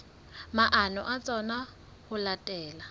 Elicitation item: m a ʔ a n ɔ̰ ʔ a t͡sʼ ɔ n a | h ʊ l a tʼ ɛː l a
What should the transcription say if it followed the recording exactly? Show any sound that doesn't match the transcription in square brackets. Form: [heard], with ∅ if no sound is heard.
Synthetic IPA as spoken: m a ʔ a n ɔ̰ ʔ a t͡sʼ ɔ n a | h ʊ l a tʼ ɛː l a